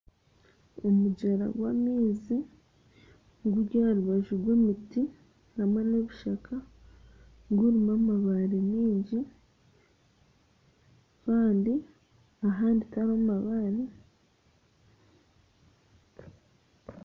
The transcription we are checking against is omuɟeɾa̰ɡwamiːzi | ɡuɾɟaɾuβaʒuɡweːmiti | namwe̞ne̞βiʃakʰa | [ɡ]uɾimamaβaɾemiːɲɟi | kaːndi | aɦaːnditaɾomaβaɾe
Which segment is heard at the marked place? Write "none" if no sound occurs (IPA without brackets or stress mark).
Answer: ɡ